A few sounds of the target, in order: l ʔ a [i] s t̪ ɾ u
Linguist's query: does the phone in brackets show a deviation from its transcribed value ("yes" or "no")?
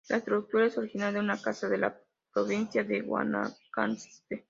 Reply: yes